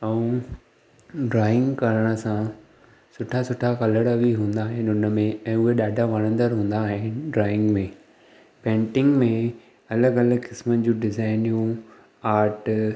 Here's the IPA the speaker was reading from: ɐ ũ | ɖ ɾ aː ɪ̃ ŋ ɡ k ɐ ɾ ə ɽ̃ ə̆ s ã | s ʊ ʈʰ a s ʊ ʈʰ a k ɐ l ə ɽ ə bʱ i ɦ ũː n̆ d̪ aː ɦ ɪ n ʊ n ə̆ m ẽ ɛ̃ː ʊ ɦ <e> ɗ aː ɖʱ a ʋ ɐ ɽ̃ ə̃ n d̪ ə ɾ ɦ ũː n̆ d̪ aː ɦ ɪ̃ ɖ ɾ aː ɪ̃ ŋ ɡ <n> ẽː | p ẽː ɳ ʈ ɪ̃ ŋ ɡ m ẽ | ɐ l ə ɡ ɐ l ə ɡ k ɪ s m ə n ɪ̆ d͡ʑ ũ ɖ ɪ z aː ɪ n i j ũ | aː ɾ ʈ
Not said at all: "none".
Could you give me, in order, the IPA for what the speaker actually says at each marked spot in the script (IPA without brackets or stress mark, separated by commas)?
e, m